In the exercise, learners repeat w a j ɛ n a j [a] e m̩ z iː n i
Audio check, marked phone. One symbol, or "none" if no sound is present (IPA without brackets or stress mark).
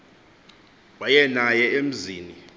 ɛ